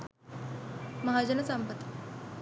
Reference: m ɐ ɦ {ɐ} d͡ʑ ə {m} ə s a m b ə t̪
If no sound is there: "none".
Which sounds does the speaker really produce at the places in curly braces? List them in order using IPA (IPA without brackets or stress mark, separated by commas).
a, n